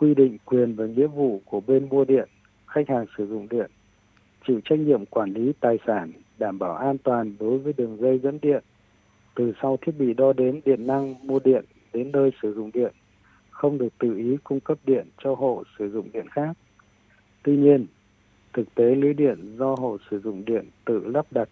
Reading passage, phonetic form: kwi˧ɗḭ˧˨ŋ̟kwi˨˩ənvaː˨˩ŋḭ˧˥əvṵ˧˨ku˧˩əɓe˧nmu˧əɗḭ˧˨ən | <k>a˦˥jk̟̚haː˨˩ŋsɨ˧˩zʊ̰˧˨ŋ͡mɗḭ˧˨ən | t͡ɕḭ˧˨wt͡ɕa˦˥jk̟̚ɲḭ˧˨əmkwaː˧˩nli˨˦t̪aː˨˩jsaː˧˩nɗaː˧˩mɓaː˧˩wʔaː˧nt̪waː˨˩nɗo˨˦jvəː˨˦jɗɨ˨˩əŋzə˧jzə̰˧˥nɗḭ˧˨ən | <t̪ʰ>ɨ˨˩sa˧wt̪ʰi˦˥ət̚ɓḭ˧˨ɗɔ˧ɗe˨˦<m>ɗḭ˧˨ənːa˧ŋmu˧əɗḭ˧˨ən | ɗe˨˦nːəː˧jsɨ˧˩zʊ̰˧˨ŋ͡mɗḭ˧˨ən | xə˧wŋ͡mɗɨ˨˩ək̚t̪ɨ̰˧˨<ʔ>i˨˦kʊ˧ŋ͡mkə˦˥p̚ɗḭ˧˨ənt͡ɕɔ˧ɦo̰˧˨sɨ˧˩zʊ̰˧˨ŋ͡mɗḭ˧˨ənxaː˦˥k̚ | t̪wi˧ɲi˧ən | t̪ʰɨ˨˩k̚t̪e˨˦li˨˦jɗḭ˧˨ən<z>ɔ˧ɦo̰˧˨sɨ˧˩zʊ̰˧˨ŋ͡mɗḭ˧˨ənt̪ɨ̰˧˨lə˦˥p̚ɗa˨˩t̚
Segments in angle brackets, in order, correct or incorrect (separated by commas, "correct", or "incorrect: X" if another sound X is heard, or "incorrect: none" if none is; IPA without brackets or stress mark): incorrect: x, incorrect: t̪, incorrect: n, correct, correct